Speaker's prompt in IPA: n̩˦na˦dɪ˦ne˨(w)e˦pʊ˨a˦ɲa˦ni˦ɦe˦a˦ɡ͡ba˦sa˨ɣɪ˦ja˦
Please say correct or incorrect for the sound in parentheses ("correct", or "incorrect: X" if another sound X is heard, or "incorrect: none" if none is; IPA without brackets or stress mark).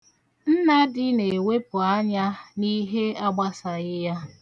correct